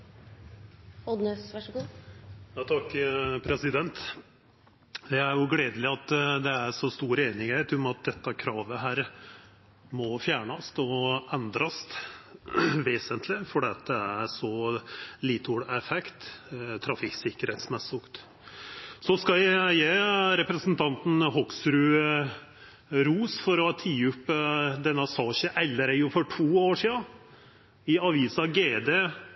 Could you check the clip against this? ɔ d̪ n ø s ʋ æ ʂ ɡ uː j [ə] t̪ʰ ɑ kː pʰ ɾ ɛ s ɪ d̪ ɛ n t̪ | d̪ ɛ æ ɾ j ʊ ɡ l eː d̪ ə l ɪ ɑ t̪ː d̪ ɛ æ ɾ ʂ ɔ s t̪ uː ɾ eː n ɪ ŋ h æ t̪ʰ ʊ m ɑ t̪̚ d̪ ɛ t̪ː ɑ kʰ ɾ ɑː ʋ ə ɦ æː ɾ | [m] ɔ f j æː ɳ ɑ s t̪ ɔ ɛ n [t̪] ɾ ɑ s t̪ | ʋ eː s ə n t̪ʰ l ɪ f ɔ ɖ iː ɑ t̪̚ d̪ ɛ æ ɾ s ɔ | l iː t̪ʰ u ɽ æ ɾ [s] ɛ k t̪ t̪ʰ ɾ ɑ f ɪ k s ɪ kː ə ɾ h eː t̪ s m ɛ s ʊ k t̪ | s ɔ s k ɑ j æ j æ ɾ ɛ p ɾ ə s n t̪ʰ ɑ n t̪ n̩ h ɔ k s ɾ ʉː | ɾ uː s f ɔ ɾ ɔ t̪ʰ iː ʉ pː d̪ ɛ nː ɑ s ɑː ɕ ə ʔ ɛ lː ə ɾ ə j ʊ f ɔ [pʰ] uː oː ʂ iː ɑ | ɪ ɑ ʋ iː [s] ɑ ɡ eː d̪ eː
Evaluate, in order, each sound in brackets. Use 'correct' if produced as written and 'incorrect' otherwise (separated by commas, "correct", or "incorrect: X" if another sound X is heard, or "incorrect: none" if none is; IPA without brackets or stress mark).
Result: incorrect: ɑ, correct, incorrect: d̪, incorrect: f, incorrect: ʈʰ, correct